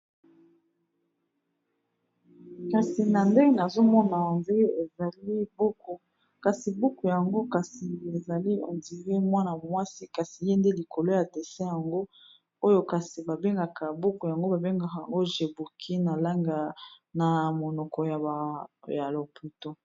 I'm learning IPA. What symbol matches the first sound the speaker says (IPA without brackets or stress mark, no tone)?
k